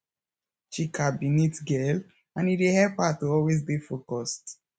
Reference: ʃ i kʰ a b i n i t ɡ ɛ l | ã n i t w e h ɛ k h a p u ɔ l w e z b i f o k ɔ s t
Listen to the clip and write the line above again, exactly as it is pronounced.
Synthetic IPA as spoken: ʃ i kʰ a b i n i t ɡ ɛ l | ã n i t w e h ɛ p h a t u ɔ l w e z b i f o k ɔ s t